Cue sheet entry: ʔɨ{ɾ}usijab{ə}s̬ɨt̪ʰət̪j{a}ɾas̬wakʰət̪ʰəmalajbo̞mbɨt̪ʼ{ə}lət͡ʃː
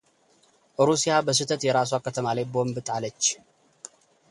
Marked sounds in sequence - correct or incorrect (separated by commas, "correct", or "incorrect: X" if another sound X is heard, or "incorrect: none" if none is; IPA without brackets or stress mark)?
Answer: correct, correct, incorrect: ɛ, incorrect: a